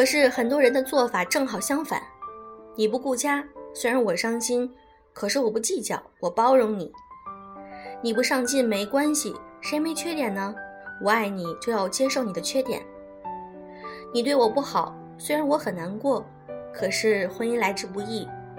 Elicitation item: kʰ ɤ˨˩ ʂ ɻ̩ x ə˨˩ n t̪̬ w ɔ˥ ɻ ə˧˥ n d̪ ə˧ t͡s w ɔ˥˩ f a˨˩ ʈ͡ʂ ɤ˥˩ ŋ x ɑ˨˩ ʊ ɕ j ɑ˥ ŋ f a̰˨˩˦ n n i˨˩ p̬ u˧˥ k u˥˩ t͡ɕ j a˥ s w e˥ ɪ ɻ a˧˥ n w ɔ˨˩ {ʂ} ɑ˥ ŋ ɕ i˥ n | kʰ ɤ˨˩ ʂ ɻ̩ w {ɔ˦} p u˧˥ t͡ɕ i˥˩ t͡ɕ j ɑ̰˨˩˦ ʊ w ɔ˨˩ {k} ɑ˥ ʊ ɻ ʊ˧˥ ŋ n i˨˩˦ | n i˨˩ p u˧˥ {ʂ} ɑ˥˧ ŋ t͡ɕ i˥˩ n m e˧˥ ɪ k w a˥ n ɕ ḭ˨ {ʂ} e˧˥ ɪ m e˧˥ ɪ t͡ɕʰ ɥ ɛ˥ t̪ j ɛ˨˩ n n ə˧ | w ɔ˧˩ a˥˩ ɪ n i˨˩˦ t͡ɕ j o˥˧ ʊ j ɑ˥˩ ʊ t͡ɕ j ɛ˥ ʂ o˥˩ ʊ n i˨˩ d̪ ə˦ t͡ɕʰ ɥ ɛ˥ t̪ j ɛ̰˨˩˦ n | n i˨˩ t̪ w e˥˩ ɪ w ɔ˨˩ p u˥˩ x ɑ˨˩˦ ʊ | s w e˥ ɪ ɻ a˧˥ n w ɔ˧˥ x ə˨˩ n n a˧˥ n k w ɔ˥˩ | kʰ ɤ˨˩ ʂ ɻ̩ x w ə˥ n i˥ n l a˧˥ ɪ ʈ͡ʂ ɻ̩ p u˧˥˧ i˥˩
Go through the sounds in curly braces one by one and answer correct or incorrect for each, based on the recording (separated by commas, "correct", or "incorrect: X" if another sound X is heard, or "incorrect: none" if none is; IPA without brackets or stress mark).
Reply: correct, incorrect: ɔ˨˩, incorrect: p, correct, correct